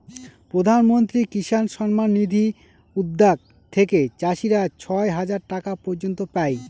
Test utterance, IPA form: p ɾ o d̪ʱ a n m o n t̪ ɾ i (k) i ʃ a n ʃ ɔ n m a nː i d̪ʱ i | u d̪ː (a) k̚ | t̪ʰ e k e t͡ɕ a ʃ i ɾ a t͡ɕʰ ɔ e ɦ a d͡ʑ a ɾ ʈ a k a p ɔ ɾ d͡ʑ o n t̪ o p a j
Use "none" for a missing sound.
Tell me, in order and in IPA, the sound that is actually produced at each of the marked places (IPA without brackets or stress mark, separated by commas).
k, a